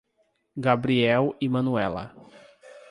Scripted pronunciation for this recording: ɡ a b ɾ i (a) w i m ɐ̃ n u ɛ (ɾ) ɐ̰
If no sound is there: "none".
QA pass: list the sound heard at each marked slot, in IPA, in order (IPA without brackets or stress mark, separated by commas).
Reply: ɛ, l